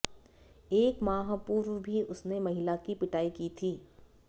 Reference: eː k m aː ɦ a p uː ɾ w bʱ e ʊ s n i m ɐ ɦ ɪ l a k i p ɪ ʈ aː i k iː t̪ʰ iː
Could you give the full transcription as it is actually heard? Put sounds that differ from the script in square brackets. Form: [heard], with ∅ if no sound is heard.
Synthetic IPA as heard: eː k m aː ɦ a p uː ɾ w bʱ [i] ʊ s n [e] m ɐ ɦ ɪ l a k i p ɪ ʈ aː i k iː t̪ʰ iː